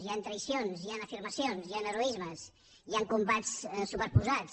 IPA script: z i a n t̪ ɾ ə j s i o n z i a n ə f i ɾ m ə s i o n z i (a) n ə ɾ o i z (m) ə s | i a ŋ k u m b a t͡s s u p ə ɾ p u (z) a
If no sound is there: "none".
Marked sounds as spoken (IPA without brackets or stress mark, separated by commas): a, m, z